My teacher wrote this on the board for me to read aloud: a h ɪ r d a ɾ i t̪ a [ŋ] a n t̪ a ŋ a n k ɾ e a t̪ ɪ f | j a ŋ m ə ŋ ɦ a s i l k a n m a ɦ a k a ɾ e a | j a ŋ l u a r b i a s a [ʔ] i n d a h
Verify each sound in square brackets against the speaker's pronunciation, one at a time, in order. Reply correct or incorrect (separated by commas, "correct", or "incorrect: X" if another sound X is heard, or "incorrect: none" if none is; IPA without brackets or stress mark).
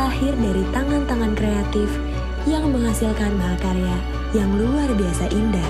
correct, correct